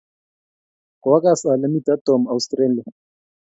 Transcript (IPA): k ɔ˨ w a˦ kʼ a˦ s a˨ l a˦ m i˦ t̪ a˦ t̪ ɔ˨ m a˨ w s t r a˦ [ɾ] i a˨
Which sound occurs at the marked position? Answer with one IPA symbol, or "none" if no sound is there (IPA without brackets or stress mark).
l